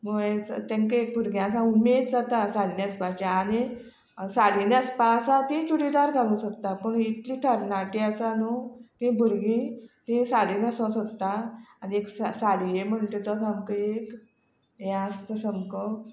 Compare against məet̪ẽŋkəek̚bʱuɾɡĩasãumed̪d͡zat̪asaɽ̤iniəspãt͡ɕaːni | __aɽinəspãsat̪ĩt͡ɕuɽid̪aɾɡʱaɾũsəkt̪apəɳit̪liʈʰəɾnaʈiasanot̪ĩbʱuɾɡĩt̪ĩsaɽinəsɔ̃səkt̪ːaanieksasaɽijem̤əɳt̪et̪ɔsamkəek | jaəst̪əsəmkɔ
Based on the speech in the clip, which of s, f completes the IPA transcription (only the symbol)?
s